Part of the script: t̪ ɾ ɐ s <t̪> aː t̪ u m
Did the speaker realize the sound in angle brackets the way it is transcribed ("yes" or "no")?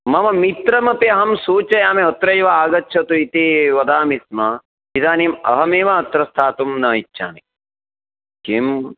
no